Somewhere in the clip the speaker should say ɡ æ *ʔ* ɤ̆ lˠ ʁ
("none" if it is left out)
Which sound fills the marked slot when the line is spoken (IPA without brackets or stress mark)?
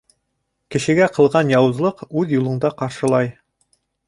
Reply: q